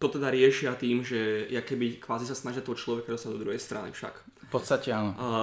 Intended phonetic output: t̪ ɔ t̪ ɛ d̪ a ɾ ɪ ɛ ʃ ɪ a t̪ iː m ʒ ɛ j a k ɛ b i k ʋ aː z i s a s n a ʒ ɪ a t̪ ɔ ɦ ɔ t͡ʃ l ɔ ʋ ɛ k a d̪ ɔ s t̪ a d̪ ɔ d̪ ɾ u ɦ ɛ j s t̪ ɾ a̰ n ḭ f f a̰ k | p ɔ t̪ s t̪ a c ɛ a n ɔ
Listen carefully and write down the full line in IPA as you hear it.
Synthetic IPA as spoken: t̪ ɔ t̪ ɛ d̪ a ɾ ɪ ɛ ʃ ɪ a t̪ iː m ʒ ɛ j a k ɛ b i k ʋ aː z i s a s n a ʒ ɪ a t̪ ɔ ɦ ɔ t͡ʃ l ɔ ʋ ɛ k a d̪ ɔ s t̪ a d̪ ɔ d̪ ɾ u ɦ ɛ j s t̪ ɾ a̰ n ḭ f ʃ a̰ k | p ɔ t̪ s t̪ a c ɛ a n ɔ